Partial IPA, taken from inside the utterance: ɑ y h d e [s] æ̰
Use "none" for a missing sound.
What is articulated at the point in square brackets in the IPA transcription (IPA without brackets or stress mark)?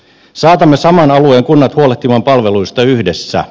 sː